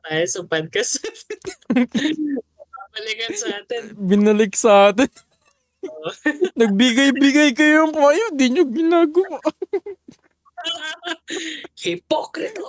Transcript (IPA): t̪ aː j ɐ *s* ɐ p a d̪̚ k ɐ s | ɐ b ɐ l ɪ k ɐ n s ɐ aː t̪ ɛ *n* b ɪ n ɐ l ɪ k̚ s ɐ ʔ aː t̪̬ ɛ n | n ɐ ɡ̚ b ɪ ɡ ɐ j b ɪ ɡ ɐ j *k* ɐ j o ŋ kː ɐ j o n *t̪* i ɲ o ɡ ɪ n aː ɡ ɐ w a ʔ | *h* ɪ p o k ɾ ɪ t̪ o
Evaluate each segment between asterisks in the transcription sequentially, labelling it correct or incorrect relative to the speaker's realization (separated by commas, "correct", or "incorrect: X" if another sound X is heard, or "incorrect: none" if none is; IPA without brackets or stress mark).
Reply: correct, correct, correct, incorrect: d̪, correct